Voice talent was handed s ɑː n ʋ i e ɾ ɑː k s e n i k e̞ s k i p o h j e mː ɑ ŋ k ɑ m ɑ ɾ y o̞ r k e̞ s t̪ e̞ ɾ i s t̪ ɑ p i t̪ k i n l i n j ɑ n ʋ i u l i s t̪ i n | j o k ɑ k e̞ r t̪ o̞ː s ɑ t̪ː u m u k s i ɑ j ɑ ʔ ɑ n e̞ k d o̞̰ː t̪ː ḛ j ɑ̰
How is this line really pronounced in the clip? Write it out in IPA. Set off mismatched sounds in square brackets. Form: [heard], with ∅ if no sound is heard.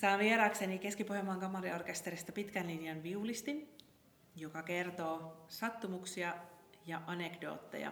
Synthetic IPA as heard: s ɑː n ʋ i e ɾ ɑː k s e n i k e̞ s k i p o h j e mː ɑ ŋ k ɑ m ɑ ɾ [i] o̞ r k e̞ s t̪ e̞ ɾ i s t̪ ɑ p i t̪ k [æ] n l i n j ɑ n ʋ i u l i s t̪ i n | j o k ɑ k e̞ r t̪ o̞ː s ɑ t̪ː u m u k s i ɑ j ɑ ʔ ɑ n e̞ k d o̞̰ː t̪ː ḛ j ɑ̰